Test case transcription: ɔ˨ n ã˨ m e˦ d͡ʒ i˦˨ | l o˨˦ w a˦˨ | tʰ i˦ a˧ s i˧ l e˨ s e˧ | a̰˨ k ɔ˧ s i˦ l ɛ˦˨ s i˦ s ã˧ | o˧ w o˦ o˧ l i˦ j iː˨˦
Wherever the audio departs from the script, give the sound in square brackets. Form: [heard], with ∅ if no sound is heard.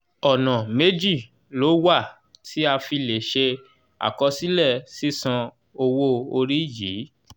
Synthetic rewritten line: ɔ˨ n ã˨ m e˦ d͡ʒ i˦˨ | l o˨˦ w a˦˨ | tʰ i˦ a˧ [f] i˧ l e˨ [ʃ] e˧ | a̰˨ k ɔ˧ s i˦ l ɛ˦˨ s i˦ s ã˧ | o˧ w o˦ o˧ [ɾ] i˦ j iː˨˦